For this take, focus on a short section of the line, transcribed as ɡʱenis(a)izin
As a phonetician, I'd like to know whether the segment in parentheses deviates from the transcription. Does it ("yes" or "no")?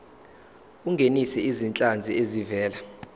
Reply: yes